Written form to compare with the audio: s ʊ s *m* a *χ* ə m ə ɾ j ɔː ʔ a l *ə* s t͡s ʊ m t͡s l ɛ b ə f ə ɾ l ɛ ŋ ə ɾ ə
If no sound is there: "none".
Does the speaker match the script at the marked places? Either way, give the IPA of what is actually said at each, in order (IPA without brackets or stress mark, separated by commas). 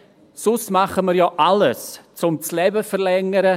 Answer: m, χ, ə